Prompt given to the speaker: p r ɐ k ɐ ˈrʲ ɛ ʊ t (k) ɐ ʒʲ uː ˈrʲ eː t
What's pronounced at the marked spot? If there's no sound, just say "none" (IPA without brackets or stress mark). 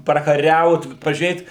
p